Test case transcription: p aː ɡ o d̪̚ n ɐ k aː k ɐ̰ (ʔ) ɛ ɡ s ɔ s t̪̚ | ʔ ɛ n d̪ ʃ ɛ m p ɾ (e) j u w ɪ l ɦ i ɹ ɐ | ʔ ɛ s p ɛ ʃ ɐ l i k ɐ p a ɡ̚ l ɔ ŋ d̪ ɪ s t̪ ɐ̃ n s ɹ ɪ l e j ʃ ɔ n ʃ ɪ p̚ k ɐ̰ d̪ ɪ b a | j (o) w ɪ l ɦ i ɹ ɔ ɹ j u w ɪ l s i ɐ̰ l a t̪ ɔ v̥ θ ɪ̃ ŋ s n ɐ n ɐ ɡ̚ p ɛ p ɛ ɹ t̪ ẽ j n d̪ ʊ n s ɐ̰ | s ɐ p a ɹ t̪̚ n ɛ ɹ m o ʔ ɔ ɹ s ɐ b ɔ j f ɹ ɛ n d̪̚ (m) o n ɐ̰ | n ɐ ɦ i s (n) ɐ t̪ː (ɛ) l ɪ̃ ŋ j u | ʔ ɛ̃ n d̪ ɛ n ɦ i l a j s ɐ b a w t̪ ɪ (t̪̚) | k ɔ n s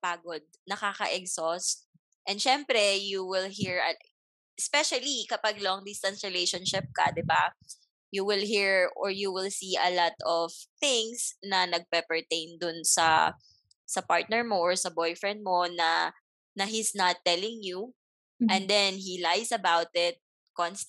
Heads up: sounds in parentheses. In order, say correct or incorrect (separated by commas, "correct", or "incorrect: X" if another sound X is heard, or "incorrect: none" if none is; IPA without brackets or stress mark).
correct, incorrect: ɛ, incorrect: u, correct, correct, correct, correct